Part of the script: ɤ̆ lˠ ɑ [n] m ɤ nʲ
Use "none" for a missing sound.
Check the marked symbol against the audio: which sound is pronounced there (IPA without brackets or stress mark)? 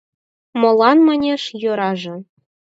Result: n